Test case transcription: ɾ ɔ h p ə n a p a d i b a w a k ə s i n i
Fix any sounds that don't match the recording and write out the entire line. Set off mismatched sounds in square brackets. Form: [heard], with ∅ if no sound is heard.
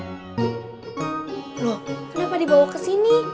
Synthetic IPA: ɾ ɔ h [k] ə n a p a d i b a w a k ə s i n i